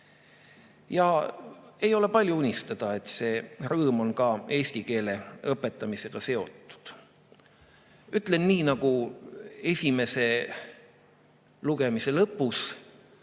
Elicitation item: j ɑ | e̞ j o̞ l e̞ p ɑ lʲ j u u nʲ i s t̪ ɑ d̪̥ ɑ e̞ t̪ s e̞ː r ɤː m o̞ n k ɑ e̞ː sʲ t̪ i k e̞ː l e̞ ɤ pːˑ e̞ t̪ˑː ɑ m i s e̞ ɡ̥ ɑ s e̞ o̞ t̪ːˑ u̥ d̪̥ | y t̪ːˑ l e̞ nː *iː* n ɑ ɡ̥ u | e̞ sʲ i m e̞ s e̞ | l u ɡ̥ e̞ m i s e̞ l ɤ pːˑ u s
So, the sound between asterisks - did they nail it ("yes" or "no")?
yes